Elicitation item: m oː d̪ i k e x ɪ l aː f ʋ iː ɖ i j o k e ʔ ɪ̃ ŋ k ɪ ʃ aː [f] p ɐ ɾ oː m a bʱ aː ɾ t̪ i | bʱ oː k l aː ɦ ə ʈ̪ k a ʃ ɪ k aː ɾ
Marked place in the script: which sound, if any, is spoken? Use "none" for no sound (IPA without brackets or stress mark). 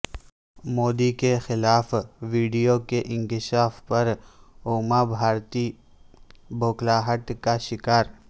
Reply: f